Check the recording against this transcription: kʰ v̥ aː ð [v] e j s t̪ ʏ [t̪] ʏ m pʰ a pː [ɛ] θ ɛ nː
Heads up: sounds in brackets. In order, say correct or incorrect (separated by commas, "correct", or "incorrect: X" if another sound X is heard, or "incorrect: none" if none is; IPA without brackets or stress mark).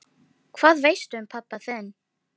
correct, incorrect: none, incorrect: a